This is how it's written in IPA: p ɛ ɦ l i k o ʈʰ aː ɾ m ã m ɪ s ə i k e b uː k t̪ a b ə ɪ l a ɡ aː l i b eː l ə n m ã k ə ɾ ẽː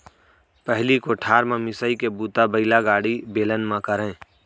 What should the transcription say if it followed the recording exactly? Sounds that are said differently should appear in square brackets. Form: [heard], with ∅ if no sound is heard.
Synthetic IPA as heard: p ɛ ɦ l i k o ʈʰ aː ɾ m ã m ɪ s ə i k e b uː [∅] t̪ a b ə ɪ l a ɡ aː [ɽ] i b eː l ə n m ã k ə ɾ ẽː